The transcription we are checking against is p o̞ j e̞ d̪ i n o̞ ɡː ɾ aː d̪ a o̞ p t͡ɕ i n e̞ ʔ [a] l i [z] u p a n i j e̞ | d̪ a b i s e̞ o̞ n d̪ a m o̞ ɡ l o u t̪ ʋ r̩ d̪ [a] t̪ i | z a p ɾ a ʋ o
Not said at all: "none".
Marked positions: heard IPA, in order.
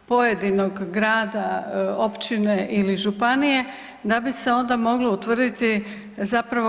i, ʒ, i

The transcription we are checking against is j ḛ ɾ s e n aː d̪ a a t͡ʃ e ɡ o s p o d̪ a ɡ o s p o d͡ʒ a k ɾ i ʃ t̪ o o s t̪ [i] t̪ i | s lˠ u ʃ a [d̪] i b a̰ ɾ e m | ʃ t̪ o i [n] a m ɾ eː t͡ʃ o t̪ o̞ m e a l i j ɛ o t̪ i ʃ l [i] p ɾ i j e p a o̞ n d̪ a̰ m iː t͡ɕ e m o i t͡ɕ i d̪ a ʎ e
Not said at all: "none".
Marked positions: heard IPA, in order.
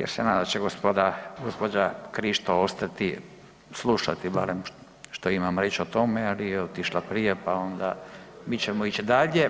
a, t̪, m, a

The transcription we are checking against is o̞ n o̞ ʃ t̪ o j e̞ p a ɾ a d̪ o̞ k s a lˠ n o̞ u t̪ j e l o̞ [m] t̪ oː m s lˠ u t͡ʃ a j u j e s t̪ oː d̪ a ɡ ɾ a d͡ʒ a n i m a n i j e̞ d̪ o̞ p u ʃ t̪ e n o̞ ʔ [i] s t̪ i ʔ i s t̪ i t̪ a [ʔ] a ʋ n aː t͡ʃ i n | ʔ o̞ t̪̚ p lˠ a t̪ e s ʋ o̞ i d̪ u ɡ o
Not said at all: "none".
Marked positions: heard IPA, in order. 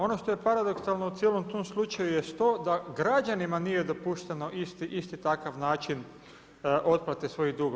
m, i, k

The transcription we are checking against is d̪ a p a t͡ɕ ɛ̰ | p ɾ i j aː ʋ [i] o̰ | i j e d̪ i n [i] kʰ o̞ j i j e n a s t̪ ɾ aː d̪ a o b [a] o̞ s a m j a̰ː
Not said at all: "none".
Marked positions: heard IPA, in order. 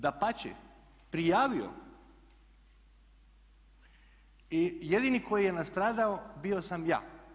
i, i, i

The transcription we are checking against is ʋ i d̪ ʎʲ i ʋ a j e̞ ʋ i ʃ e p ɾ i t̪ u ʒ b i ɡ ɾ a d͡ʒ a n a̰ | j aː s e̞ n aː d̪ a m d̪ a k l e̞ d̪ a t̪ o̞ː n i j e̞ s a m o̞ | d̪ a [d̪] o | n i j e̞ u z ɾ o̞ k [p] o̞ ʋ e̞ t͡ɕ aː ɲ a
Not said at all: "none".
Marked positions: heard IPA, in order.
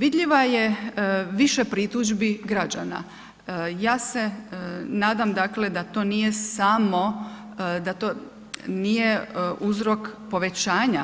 t̪, p

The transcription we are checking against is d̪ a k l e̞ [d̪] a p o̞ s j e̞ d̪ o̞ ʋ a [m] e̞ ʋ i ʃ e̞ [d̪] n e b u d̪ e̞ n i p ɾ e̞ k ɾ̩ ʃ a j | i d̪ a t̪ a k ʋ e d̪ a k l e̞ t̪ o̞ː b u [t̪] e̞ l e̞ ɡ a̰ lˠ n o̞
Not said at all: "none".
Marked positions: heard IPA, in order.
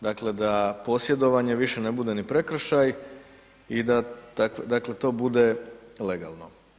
d̪, ɲ, none, d̪

